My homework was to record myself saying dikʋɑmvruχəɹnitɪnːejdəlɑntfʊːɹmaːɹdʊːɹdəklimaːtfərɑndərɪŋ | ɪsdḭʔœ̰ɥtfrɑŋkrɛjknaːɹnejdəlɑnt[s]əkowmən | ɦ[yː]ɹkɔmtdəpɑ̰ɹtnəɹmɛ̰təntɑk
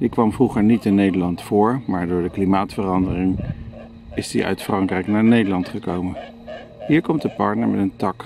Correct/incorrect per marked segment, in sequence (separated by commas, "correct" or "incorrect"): incorrect, incorrect